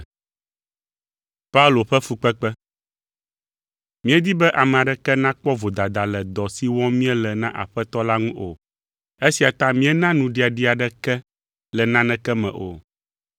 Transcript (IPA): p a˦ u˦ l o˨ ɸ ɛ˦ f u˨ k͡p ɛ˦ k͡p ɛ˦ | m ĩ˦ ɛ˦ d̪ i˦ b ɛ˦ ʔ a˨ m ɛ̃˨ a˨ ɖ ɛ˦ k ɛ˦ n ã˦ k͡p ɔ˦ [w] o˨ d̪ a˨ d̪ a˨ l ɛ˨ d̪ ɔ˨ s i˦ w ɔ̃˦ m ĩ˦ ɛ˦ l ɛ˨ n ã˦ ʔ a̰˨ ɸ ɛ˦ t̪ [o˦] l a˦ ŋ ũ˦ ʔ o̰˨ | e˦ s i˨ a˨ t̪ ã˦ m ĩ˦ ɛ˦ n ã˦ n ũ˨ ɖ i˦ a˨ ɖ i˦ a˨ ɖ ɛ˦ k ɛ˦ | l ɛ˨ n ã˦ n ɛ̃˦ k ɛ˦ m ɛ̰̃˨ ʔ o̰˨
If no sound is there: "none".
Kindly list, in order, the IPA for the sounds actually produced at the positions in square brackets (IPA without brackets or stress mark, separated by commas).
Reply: v, ɔ˦